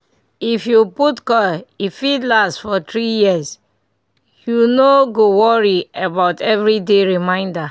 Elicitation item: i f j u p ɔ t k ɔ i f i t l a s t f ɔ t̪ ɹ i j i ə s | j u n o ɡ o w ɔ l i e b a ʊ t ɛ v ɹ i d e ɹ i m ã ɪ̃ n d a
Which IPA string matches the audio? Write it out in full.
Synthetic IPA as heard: i f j u p u t k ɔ i f i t l a s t f ɔ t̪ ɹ i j i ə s | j u n o ɡ o w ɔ ɹ i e b a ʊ t ɛ v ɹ i d e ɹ i m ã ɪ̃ n d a